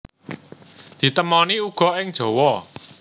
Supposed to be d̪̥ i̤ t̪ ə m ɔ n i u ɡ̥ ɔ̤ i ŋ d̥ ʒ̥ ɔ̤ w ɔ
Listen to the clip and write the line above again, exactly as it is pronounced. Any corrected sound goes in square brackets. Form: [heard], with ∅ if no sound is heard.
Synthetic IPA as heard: d̪̥ i̤ t̪ ə m ɔ n i u ɡ̥ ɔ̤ [ɪ] ŋ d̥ ʒ̥ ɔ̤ w ɔ